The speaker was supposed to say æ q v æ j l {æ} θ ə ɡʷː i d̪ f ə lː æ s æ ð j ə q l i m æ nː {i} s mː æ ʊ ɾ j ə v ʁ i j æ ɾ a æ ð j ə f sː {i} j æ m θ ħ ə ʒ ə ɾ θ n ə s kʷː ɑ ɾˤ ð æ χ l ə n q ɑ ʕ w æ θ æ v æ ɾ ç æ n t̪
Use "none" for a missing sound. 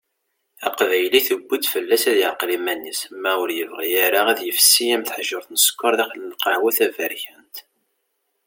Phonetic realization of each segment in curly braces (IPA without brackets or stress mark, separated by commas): i, i, i